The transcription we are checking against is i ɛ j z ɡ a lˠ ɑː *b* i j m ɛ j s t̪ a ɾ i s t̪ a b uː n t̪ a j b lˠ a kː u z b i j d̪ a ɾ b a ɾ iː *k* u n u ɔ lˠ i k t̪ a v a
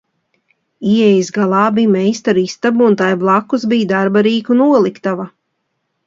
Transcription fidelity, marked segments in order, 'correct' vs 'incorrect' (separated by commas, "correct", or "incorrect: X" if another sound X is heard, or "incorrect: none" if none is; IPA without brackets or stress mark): correct, correct